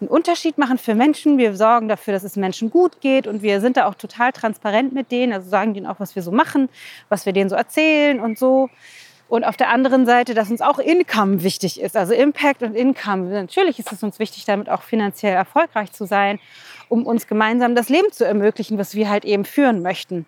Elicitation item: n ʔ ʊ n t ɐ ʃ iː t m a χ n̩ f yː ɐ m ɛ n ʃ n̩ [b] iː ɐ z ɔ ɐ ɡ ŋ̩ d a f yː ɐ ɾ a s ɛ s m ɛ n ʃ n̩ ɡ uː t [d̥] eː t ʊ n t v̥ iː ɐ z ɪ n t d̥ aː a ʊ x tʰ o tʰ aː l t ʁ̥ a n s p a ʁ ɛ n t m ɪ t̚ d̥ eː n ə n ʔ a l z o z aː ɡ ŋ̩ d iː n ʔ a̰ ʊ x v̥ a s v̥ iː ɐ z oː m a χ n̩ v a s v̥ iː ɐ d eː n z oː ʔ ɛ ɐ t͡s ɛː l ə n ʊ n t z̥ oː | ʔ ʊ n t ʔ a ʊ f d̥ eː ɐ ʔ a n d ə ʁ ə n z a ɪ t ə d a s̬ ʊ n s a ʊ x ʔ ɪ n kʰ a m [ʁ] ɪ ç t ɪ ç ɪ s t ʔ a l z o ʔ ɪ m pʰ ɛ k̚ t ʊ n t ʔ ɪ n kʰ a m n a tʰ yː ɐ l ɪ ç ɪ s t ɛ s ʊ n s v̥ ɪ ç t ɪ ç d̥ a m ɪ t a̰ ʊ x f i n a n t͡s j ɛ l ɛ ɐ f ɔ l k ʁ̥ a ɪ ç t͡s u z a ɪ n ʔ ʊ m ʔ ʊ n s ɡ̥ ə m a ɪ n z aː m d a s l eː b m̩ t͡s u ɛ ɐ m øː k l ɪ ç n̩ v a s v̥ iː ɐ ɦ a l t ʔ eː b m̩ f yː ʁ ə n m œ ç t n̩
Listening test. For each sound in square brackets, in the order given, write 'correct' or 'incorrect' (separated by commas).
incorrect, incorrect, incorrect